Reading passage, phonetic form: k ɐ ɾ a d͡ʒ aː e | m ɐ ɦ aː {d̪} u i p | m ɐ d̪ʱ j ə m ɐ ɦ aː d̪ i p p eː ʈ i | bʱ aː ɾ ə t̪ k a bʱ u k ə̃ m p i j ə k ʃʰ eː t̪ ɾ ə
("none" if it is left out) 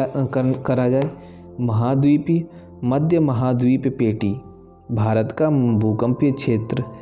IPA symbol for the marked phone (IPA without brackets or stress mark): d̪